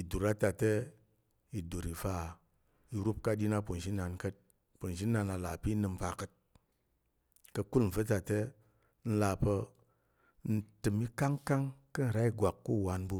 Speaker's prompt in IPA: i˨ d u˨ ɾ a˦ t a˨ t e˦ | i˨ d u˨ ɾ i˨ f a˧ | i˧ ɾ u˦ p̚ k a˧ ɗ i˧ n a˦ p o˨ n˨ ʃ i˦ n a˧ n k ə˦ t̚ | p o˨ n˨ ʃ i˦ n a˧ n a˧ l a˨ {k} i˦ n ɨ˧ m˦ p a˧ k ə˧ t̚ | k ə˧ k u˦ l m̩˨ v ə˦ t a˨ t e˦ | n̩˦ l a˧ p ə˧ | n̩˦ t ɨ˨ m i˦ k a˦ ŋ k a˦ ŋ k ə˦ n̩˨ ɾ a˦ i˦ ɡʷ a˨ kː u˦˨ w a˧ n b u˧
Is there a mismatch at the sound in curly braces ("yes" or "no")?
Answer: yes